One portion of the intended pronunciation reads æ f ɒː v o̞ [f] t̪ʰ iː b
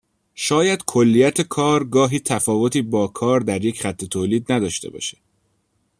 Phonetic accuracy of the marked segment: incorrect: none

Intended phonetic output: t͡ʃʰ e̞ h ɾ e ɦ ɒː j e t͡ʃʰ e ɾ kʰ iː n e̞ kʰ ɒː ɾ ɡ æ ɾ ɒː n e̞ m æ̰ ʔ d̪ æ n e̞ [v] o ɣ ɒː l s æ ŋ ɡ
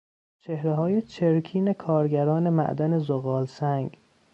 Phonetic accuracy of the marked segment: incorrect: z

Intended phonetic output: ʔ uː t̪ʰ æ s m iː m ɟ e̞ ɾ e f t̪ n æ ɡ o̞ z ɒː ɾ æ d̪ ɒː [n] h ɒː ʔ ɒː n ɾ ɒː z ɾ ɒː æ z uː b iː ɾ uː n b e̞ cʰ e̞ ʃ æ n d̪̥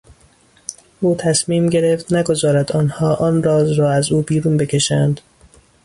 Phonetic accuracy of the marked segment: correct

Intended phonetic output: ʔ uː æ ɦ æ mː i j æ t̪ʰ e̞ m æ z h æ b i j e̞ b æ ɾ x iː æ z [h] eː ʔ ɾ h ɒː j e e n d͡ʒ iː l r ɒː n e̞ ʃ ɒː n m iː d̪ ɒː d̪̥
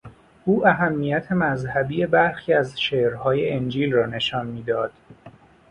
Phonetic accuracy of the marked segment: incorrect: ʃ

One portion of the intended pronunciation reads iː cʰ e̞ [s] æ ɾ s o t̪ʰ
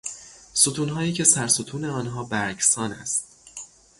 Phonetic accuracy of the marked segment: correct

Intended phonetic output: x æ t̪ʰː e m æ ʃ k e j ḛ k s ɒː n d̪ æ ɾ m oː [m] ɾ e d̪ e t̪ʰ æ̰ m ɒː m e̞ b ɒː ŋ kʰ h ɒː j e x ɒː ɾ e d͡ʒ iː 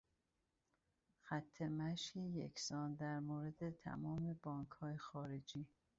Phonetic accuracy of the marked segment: incorrect: none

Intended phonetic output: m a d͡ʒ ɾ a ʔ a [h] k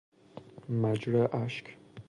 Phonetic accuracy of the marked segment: incorrect: ʃ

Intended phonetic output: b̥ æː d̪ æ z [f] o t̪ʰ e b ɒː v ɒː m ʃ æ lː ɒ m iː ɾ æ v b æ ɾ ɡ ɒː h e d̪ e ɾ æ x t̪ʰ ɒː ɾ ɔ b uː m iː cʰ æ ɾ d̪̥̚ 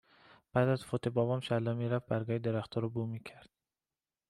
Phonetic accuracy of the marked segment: correct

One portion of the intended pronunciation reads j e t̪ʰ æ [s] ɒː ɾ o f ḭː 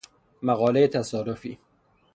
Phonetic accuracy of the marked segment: correct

